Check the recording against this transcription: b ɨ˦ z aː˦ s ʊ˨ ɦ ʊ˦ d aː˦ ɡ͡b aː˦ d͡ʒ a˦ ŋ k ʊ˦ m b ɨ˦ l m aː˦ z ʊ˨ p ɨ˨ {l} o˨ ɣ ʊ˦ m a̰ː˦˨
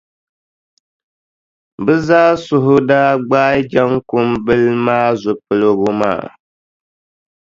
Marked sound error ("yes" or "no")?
no